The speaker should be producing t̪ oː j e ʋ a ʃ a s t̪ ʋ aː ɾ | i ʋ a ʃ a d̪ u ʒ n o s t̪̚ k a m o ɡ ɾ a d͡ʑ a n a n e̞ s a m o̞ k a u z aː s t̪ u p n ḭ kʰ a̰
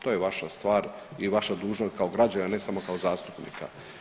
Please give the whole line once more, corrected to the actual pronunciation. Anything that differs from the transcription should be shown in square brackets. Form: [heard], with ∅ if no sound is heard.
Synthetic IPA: t̪ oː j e ʋ a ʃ a s t̪ ʋ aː ɾ | i ʋ a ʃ a d̪ [uː] ʒ n o s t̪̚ k a [∅] o ɡ ɾ a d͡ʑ a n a n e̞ s a m o̞ k a [o] z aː s t̪ u p n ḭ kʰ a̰